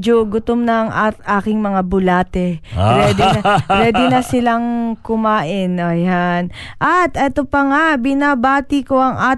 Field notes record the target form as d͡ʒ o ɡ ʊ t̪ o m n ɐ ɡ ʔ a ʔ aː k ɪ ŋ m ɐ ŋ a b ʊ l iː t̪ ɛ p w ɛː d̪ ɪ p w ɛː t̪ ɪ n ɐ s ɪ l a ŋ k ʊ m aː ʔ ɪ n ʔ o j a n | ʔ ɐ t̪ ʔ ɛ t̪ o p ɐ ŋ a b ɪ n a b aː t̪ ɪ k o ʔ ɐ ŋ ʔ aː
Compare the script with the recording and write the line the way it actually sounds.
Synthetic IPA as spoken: d͡ʒ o ɡ ʊ t̪ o m n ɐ ŋ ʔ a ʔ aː k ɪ ŋ m ɐ ŋ a b ʊ l aː t̪ ɛ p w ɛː d̪ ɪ p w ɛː d̪ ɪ n ɐ s ɪ l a ŋ k ʊ m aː ʔ ɪ n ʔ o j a n | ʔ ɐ t̪ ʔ ɛ t̪ o p ɐ ŋ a b ɪ n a b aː t̪ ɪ k o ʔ ɐ ŋ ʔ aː